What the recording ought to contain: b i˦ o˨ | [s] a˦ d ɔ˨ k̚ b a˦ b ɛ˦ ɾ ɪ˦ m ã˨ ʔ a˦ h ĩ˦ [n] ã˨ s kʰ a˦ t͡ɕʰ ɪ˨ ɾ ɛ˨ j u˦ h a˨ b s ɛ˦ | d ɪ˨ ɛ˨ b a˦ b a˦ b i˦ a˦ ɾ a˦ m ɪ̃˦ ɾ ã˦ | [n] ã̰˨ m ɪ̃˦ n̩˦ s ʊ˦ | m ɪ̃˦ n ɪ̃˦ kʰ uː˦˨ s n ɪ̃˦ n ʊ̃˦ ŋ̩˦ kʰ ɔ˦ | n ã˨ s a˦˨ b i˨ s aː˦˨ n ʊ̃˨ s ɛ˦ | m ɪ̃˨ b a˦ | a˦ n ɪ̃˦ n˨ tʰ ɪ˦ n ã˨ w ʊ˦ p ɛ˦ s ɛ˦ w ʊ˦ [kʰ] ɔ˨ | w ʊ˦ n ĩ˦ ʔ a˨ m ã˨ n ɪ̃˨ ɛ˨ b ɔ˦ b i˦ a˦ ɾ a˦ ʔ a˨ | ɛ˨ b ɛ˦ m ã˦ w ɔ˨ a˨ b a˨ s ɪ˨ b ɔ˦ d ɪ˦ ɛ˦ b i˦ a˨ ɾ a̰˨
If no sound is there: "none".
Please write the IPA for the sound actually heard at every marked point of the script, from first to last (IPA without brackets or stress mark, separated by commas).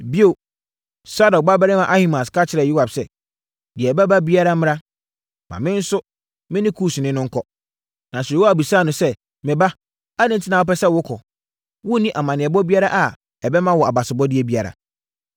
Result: s, m, m, kʰ